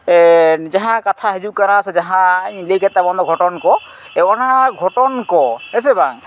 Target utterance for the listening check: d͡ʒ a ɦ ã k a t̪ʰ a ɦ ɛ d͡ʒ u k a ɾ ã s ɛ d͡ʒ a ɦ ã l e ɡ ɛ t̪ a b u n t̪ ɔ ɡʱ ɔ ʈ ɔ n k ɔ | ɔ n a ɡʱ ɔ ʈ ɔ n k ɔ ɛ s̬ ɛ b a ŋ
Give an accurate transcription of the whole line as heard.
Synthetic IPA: d͡ʒ a ɦ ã k a t̪ʰ a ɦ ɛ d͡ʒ u k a ɾ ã s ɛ d͡ʒ a ɦ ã l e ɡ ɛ t̪ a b ɔ n d̪ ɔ ɡʱ ɔ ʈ ɔ n k ɔ | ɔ n a ɡʱ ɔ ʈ ɔ n k ɔ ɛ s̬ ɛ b a ŋ